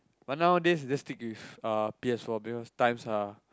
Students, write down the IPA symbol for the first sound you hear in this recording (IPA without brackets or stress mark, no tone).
b